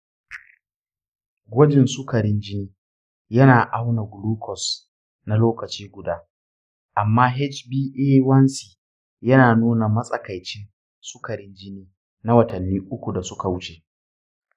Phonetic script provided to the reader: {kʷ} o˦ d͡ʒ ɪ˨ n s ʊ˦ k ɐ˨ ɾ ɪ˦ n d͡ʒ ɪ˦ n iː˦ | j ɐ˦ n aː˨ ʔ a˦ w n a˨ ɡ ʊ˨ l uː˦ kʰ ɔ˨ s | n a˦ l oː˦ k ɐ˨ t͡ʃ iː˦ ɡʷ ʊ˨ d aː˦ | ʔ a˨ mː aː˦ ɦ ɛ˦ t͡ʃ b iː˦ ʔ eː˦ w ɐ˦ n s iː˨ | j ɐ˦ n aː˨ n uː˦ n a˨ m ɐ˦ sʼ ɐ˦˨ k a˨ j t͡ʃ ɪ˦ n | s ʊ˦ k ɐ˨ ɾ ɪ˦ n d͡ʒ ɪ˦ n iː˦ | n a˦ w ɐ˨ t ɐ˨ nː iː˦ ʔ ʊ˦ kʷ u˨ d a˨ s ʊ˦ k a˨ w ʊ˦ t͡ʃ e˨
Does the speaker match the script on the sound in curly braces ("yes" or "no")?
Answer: no